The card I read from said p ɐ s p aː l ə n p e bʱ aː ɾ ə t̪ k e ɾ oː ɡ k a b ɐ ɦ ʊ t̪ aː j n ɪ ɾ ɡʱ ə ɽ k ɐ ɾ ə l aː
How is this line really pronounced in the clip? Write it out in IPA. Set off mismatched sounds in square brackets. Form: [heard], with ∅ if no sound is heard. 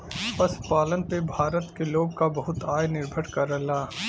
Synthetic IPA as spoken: p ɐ s p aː l ə n p e bʱ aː ɾ ə t̪ k e [l] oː ɡ k a b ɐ ɦ ʊ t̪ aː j n ɪ ɾ [bʱ] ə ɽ k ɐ ɾ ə l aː